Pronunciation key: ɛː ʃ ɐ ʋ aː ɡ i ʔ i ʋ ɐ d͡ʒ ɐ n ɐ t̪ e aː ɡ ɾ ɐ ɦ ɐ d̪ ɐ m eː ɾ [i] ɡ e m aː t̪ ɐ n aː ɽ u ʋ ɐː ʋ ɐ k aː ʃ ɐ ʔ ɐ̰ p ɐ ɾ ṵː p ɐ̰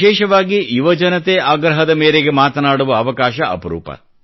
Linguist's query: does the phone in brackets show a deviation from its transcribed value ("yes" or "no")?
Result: yes